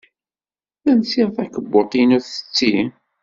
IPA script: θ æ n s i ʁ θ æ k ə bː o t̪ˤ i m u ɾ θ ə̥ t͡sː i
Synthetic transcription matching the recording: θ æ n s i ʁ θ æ k ə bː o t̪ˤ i n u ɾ θ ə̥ t͡sː i